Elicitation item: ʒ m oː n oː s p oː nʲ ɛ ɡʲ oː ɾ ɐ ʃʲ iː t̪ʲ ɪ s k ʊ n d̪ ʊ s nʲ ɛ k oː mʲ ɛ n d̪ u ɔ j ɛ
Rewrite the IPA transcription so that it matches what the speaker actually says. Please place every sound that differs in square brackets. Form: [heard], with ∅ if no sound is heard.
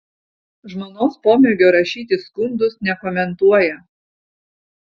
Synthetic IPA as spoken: ʒ m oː n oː s p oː [mʲ] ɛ ɡʲ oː ɾ ɐ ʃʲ iː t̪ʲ ɪ s k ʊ n d̪ ʊ s nʲ ɛ k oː mʲ ɛ n [t̪] u ɔ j ɛ